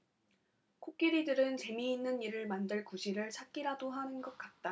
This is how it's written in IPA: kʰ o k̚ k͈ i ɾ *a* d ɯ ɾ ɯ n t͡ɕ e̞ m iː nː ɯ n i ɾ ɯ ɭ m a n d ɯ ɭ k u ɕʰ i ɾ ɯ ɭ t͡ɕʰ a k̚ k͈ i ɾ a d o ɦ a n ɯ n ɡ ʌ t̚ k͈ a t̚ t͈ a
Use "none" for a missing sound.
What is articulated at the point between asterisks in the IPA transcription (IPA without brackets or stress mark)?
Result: i